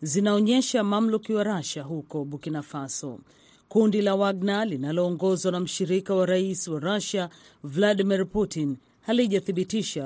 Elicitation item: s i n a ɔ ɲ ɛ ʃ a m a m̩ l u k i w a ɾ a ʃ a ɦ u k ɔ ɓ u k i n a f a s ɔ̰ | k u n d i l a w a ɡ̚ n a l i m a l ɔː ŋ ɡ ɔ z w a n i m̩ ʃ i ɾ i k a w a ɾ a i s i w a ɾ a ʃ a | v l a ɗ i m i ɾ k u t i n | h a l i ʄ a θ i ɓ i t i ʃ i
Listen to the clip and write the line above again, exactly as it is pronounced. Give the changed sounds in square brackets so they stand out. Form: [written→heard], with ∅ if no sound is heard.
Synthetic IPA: [s→z] i n a ɔ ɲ ɛ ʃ a m a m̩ l u k i w a ɾ a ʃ a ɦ u k ɔ ɓ u k i n a f a s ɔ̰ | k u n d i l a w a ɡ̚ n a l i [m→n] a l ɔː ŋ ɡ ɔ z w a n [i→a] m̩ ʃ i ɾ i k a w a ɾ a i s i w a ɾ a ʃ a | v l a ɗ i m i ɾ [k→p] u t i n | h a l i ʄ a θ i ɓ i t i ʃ [i→a]